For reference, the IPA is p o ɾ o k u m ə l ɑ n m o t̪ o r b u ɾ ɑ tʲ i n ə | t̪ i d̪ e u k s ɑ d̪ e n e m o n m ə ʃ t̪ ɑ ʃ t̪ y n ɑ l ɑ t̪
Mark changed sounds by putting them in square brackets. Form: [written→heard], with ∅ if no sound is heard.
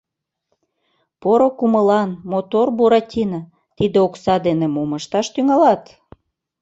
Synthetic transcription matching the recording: p o ɾ o k u m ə l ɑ n m o t̪ o r b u ɾ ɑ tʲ i n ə | t̪ i d̪ e [u→o] k s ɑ d̪ e n e m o [n→∅] m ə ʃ t̪ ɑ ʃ t̪ y [n→ŋ] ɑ l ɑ t̪